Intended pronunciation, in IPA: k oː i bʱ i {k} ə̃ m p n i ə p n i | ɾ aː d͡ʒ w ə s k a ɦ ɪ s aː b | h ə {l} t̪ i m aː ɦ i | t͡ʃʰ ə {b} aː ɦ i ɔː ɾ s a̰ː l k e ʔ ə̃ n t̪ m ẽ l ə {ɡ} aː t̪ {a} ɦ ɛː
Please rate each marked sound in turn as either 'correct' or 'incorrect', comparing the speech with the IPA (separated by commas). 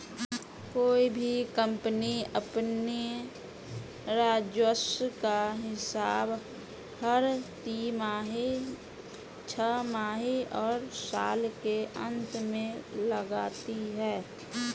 correct, incorrect, incorrect, correct, incorrect